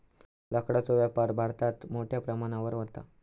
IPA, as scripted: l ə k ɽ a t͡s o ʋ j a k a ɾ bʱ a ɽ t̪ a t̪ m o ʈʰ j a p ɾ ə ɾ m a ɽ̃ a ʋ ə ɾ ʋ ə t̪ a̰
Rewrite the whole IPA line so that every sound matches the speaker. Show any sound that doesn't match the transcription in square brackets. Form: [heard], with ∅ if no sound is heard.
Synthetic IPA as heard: l ə k ɽ a t͡s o ʋ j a [p] a ɾ bʱ a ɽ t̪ a t̪ m o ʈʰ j a p ɾ ə [∅] m a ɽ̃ a ʋ ə ɾ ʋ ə t̪ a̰